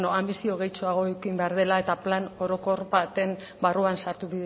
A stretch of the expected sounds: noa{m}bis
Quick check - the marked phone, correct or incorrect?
correct